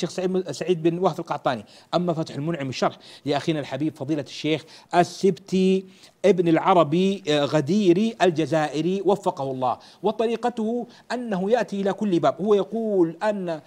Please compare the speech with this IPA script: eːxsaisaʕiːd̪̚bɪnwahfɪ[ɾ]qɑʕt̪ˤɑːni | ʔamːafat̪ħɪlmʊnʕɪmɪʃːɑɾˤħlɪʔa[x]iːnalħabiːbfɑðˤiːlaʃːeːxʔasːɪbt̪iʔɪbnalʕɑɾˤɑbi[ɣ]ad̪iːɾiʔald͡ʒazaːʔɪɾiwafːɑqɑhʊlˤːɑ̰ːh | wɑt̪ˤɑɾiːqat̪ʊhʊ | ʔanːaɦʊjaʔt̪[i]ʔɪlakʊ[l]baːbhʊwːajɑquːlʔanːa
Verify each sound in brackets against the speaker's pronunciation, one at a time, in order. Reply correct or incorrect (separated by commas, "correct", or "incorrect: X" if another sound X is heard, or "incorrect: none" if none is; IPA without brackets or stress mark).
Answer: incorrect: l, correct, correct, correct, incorrect: lː